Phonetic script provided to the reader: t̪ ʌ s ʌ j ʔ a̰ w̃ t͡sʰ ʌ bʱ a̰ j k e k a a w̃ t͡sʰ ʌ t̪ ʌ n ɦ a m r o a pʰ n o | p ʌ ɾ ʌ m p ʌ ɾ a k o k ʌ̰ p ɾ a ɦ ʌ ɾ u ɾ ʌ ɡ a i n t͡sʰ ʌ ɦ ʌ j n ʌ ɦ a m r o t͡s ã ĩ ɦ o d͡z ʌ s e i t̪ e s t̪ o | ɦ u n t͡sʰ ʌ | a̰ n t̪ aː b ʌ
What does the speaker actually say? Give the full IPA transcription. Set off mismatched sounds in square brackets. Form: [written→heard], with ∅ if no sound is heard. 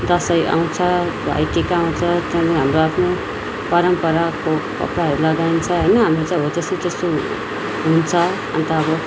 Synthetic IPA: [t̪→d̪] ʌ s ʌ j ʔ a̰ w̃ t͡sʰ ʌ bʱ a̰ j k e k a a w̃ t͡sʰ ʌ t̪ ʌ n ɦ a m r o a pʰ n o | p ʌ ɾ ʌ m p ʌ ɾ a k o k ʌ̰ p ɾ a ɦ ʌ ɾ u [ɾ→l] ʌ ɡ a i n t͡sʰ ʌ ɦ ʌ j n ʌ ɦ a m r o t͡s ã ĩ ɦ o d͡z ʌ s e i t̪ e s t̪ o | ɦ u n t͡sʰ ʌ | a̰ n t̪ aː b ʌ